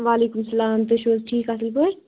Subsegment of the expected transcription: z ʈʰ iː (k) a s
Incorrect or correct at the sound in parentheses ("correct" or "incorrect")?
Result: correct